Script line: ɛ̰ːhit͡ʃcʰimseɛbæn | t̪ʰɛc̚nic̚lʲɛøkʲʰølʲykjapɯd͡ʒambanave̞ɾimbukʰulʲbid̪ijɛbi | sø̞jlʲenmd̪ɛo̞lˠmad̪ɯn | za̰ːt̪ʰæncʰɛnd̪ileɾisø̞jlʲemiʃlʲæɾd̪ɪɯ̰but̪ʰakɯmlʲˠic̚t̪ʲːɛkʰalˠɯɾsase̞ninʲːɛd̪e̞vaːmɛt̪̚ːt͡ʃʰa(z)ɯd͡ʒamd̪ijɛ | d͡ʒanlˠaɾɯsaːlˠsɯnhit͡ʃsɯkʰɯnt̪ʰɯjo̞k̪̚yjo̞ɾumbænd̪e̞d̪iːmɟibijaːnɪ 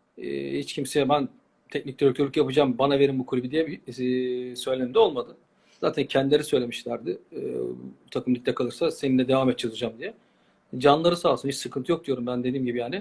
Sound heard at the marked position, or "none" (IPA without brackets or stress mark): z